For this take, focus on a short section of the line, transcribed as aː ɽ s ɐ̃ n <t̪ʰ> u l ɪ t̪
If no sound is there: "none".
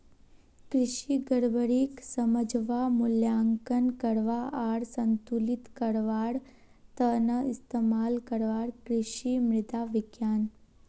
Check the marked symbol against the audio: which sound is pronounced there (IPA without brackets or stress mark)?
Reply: t̪